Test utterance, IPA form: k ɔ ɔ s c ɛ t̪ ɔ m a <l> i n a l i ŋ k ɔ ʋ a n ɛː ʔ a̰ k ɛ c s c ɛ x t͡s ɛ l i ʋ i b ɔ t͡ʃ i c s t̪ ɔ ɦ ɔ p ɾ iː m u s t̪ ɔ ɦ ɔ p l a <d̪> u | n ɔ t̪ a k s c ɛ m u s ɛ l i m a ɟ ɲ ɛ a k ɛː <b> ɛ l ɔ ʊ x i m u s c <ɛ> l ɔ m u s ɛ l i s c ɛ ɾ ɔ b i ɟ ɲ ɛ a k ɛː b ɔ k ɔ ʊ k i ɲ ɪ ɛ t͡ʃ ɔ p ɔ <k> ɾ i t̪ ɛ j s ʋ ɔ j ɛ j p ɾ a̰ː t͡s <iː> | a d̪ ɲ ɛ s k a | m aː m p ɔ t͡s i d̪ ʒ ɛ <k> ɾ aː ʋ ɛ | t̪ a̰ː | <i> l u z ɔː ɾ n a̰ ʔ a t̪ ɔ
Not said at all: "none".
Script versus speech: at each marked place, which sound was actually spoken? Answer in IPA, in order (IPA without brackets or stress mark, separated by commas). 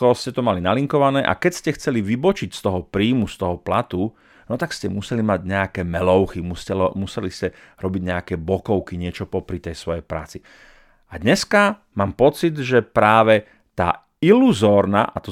l, t̪, m, ɛ, p, i, p, i